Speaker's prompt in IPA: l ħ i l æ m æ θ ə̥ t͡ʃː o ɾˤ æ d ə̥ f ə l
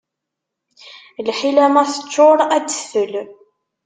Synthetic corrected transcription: l ħ i l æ m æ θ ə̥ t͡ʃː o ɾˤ æ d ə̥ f ə l